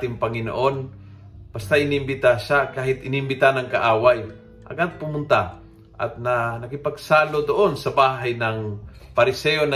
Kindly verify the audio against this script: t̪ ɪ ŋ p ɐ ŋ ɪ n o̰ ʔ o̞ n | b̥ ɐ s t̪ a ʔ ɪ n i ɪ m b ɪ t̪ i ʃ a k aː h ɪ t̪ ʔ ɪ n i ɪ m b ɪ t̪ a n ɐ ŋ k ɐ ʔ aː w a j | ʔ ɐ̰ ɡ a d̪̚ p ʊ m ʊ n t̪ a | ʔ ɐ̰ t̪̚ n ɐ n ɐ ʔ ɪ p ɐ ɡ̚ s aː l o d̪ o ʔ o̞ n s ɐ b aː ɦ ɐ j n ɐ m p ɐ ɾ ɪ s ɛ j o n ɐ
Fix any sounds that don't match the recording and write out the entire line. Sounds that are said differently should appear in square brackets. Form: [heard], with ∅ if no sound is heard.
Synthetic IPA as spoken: t̪ ɪ ŋ p ɐ ŋ ɪ n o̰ ʔ o̞ n | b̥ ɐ s t̪ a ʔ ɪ n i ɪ m b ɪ t̪ [a] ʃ a k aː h ɪ t̪ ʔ ɪ n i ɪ m b ɪ t̪ a n ɐ ŋ k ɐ ʔ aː w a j | ʔ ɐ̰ ɡ a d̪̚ p ʊ m ʊ n t̪ a | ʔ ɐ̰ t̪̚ n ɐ n ɐ [k] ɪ p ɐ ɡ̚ s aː l o d̪ o ʔ o̞ n s ɐ b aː ɦ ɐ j n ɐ [ŋ] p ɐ ɾ ɪ s ɛ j o n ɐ